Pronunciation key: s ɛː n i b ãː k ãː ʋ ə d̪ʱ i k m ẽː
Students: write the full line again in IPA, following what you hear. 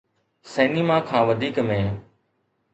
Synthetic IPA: s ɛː n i m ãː kʰ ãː ʋ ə d̪ʱ iː k m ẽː